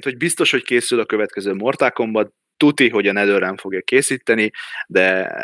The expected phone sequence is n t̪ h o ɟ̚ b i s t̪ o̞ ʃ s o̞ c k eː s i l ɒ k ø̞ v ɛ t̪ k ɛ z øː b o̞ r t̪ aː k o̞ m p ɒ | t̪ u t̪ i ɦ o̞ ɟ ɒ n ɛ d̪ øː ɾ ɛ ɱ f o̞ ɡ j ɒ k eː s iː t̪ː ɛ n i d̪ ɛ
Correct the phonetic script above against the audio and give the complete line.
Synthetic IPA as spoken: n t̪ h o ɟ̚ b i s t̪ o̞ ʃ h o̞ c k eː s y l ɒ k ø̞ v ɛ t̪ k ɛ z øː m o̞ r t̪ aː k o̞ m b ɒ | t̪ u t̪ i ɦ o̞ ɟ ɒ n ɛ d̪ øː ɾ ɛ ɱ f o̞ ɡ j ɒ k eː s iː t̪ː ɛ n i d̪ ɛ